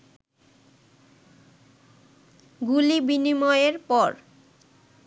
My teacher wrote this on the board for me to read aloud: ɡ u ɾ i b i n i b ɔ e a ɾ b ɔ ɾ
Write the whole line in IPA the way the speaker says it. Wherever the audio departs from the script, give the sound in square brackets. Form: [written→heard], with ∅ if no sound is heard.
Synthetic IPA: ɡ u [ɾ→l] i b i n i [b→m] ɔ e [a→e] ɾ [b→p] ɔ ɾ